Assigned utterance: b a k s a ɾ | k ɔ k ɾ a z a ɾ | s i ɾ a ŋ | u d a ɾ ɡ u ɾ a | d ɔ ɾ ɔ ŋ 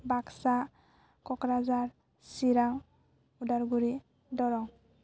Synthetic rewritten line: b a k s a | k ɔ k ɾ a z a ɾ | s i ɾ a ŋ | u d a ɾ ɡ u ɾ i | d ɔ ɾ ɔ ŋ